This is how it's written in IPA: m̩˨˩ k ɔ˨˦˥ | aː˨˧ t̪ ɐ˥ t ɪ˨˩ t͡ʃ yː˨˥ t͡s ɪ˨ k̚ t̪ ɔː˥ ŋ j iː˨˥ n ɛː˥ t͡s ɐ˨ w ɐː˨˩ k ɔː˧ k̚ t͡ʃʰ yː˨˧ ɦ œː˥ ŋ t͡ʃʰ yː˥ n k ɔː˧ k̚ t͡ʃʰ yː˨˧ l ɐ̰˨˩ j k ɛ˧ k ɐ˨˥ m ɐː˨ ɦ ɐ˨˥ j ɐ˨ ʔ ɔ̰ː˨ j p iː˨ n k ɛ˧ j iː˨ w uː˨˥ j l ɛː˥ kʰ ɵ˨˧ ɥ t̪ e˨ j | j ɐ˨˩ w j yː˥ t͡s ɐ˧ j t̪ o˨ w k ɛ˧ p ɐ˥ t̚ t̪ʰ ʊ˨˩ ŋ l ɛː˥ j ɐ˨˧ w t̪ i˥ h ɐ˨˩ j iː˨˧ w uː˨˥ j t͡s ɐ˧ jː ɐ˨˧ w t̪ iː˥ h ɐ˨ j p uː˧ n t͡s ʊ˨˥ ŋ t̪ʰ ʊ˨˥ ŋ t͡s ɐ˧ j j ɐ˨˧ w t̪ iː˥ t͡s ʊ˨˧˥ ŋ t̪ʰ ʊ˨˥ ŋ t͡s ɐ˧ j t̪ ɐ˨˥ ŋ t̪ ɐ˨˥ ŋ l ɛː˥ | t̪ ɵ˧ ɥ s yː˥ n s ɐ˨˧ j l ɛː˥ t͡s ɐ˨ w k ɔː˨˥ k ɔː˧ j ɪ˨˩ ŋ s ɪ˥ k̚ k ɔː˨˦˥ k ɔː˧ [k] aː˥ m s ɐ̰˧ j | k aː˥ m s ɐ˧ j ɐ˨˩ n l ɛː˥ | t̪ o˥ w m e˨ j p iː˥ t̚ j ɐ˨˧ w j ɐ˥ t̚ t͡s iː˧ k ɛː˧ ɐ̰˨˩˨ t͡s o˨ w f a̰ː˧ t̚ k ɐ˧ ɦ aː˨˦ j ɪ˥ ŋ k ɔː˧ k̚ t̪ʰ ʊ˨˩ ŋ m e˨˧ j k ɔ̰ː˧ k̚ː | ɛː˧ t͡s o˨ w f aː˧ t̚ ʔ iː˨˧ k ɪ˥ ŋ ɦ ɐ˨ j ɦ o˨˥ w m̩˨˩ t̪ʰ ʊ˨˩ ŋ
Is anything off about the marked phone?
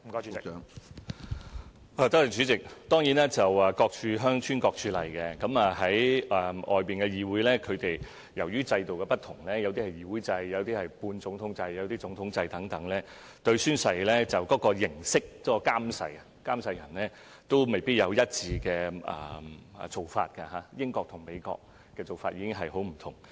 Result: no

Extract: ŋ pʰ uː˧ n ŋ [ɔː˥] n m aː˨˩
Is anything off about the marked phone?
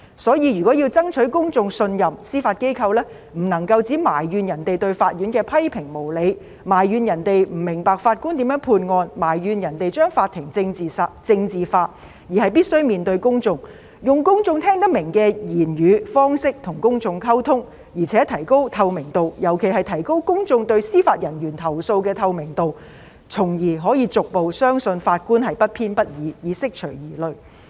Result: yes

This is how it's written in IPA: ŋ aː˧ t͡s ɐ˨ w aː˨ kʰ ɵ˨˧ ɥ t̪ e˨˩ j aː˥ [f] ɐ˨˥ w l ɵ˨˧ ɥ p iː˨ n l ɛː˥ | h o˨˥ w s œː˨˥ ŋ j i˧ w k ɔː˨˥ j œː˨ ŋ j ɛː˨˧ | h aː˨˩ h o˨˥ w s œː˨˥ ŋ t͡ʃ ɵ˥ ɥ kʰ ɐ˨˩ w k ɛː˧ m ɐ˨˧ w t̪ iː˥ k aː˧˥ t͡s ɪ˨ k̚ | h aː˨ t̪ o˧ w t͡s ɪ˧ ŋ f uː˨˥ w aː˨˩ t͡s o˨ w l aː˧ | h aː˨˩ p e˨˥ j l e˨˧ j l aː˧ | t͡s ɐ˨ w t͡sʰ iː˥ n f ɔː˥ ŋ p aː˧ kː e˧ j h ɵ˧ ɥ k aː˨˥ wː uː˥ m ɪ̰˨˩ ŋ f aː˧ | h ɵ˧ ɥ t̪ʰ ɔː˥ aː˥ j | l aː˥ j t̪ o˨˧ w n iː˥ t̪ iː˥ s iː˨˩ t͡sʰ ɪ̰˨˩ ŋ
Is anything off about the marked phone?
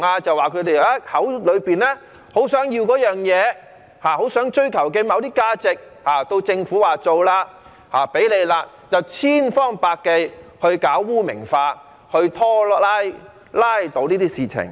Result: yes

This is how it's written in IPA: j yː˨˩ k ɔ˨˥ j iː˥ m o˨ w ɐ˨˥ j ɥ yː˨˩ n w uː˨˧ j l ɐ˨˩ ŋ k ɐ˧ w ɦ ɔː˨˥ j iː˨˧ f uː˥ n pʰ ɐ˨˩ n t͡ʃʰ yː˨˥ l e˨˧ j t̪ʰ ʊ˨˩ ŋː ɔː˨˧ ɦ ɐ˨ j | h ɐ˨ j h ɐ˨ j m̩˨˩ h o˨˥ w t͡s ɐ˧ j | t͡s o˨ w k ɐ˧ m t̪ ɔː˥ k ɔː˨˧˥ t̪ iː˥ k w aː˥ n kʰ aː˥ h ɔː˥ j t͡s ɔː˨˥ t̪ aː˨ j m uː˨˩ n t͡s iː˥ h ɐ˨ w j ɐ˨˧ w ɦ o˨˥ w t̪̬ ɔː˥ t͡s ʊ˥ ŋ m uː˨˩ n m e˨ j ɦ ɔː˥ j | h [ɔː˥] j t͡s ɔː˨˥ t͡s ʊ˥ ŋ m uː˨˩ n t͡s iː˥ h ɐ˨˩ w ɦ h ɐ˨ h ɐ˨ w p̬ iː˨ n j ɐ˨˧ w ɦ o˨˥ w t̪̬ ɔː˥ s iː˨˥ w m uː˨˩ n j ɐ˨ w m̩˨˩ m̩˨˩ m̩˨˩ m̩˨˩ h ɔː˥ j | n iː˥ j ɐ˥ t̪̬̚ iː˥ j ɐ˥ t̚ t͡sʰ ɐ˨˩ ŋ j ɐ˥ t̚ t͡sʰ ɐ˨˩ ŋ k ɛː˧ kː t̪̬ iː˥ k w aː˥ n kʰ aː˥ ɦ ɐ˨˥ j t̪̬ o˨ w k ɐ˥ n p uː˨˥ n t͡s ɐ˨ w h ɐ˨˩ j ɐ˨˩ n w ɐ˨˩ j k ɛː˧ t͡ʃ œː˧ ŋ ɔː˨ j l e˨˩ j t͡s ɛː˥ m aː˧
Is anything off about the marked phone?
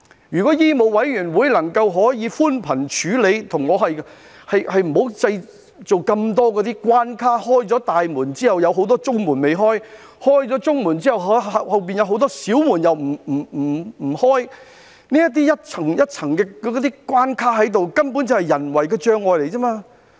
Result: no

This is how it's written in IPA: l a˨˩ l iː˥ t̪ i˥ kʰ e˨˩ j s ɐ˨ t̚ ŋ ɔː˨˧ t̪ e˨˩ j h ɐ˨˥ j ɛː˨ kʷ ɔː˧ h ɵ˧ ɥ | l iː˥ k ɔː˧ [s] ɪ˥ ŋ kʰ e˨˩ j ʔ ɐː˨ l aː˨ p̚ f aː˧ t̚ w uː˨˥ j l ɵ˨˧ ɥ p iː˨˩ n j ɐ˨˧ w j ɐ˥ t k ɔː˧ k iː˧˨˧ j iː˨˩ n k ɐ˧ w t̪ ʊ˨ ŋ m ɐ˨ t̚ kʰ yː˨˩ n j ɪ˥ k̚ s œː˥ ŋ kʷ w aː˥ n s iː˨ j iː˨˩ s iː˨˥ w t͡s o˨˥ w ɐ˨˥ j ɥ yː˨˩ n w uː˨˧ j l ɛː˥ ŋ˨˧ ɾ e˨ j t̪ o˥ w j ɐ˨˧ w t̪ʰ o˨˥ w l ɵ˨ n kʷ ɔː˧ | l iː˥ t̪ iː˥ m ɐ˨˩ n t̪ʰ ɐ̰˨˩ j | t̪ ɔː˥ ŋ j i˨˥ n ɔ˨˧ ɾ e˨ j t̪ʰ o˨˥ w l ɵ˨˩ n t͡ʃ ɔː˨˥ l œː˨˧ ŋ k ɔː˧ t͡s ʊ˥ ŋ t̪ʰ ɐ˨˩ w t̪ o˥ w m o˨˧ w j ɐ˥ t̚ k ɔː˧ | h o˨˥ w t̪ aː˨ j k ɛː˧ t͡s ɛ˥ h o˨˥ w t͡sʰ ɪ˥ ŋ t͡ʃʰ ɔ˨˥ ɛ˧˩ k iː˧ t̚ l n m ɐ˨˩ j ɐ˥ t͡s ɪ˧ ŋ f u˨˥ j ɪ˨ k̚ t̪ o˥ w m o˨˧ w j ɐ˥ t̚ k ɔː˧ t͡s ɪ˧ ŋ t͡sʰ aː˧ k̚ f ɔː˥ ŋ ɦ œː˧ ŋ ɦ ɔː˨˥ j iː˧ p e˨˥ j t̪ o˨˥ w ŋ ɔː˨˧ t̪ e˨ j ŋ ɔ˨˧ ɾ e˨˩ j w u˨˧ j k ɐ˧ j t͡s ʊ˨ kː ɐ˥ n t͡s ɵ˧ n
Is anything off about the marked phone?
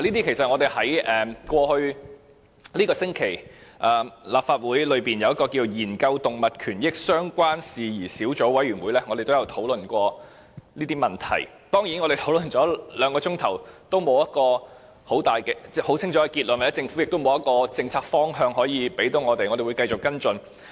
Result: no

